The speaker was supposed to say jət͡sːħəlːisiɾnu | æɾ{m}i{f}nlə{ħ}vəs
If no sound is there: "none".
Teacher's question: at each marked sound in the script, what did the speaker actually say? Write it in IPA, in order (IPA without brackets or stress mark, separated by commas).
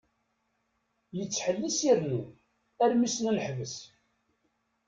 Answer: m, s, ħ